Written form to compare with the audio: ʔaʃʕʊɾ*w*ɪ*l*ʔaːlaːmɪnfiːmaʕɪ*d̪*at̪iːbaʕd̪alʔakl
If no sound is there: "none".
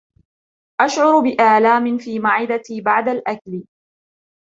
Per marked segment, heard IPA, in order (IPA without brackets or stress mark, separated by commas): b, none, d̪